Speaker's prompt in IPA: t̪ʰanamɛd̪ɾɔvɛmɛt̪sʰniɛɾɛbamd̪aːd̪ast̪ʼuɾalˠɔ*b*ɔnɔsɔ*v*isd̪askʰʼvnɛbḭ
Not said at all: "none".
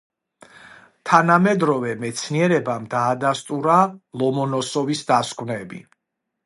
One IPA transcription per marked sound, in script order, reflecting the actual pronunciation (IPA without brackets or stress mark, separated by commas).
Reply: m, v